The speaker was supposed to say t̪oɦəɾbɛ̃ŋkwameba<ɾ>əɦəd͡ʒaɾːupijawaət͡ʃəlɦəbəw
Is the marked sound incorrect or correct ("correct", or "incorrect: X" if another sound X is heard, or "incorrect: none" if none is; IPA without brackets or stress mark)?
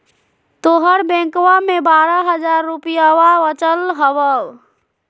correct